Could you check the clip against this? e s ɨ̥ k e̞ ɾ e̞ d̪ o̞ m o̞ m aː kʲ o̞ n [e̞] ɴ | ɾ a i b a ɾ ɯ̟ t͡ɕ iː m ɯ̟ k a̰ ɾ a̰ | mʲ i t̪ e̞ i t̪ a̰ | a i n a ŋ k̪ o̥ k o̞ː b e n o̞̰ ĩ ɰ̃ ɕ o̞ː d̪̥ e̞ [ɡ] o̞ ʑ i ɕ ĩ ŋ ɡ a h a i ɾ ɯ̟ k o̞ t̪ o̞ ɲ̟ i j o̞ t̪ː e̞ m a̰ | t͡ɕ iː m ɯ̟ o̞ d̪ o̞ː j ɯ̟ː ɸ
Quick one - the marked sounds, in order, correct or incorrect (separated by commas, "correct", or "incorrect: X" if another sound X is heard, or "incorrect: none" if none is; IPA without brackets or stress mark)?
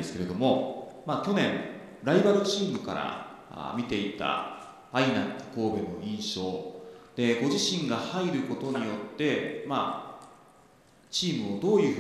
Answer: incorrect: ẽ̞, correct